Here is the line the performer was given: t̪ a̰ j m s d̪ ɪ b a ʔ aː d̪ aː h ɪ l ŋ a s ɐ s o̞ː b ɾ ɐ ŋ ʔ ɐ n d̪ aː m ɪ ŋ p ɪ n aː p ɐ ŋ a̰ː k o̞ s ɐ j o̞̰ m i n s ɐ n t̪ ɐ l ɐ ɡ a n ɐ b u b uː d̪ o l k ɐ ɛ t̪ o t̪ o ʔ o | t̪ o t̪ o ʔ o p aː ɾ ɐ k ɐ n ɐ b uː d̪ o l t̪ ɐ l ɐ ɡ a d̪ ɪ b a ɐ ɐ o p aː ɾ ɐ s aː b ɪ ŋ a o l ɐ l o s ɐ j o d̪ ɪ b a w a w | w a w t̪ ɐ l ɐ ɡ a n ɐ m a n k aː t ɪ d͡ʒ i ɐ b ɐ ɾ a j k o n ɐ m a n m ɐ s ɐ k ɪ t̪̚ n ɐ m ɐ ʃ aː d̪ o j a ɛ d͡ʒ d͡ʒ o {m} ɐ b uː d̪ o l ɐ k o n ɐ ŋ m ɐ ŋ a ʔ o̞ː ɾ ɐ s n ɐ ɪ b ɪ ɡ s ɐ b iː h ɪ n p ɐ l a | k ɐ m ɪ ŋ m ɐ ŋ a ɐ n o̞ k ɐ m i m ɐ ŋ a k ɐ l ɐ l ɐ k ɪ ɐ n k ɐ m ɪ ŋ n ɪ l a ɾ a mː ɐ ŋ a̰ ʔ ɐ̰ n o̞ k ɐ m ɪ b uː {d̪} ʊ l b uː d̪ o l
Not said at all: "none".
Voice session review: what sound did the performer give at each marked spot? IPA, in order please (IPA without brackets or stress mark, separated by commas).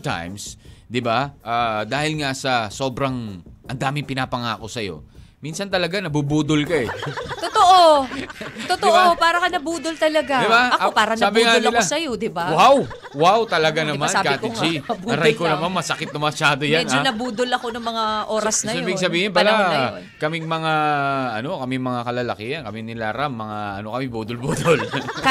n, d̪